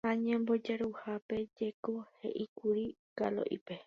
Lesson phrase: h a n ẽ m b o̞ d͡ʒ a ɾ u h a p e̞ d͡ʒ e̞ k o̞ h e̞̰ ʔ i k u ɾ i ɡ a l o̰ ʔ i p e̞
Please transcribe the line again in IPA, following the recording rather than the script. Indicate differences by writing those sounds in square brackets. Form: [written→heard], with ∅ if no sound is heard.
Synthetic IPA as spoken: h a [n→ɲ] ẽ m b o̞ d͡ʒ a ɾ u h a p e̞ d͡ʒ e̞ k o̞ h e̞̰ ʔ i k u ɾ i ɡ a l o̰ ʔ i p e̞